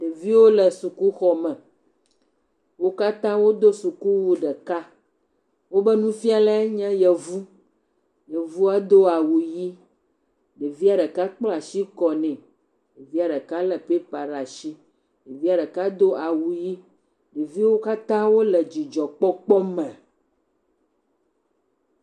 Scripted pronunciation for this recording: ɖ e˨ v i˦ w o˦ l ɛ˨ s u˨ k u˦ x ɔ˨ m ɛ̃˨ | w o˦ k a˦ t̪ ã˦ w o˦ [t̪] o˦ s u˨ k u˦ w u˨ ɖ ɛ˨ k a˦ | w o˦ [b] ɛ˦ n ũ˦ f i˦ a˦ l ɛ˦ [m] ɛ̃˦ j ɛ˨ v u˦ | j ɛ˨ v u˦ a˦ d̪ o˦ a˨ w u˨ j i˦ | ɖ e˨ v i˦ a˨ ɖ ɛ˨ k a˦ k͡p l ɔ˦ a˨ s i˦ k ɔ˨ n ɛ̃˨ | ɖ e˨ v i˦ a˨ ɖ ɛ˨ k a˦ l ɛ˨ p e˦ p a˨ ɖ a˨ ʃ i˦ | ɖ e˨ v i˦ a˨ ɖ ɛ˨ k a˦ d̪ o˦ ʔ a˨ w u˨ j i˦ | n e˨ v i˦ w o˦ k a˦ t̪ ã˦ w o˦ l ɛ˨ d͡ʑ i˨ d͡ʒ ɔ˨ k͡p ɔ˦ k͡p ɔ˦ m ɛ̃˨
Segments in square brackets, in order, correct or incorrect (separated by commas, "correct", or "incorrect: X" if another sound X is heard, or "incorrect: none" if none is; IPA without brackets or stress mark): incorrect: d̪, correct, incorrect: ɲ